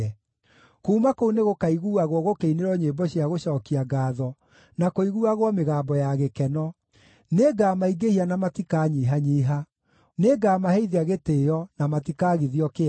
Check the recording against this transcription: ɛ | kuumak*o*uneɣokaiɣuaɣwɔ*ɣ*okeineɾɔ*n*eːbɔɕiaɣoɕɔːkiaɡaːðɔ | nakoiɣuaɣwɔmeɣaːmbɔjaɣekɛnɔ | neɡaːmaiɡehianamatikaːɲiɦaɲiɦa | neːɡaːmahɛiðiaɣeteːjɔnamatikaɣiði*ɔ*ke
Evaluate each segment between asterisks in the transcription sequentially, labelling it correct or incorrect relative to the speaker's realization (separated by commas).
correct, correct, incorrect, correct